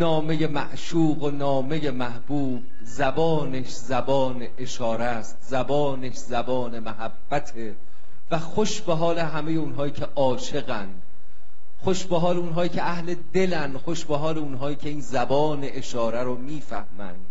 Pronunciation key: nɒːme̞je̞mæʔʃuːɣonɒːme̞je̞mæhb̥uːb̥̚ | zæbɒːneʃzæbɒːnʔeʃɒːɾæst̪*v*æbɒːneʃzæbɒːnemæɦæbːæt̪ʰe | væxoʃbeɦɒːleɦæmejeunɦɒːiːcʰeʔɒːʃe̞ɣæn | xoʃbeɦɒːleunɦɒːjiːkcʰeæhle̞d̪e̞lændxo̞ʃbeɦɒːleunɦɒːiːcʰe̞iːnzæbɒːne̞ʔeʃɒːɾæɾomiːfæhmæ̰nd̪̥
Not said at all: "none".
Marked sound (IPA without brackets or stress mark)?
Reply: z